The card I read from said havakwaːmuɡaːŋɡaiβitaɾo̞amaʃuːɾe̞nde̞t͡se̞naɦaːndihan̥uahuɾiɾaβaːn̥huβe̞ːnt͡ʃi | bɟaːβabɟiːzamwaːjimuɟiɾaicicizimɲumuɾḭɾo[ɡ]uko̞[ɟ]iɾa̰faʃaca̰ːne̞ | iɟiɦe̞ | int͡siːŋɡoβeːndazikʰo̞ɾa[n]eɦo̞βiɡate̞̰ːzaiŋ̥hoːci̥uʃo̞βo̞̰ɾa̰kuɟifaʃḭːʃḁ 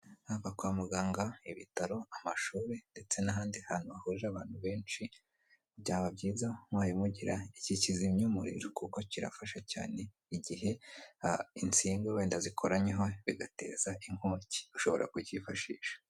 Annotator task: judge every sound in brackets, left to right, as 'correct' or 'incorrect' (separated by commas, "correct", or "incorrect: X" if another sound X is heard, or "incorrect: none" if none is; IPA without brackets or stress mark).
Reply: incorrect: k, incorrect: c, incorrect: ɲ